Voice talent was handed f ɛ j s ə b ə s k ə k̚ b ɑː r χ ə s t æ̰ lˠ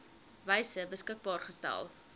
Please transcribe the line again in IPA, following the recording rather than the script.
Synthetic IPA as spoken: v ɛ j s ə b ə s k ə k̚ b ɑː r χ ə s t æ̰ lˠ

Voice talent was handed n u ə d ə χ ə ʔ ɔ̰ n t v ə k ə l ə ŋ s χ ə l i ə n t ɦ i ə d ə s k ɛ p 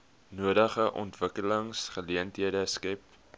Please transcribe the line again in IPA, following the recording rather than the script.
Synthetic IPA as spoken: n u ə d ə χ ə ʔ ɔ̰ n t v ə k ə l ə ŋ s χ ə l i ə n t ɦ i ə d ə s k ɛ p

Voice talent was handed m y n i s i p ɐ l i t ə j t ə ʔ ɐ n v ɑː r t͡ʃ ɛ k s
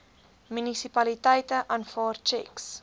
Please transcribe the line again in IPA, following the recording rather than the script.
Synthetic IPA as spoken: m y n i s i p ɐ l i t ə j t ə ʔ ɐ n f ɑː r t͡ʃ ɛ k s

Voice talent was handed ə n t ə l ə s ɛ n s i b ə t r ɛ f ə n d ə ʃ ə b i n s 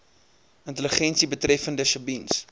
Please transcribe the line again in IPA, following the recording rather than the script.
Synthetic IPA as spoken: ə n t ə l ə χ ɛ n s i b ə t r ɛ f ə n d ə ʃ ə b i n s

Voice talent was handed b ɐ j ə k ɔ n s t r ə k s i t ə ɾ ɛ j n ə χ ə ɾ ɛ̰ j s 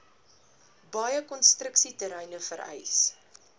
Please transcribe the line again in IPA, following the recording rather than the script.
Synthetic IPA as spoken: b ɐ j ə k ɔ n s t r ə k s i t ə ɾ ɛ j n ə f ə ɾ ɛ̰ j s

